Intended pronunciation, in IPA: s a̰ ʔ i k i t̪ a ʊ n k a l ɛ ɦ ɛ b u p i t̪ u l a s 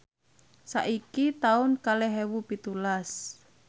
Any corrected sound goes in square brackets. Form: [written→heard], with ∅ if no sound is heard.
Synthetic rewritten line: s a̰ ʔ i k i t̪ a ʊ n k a l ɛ ɦ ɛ [b→w] u p i t̪ u l a s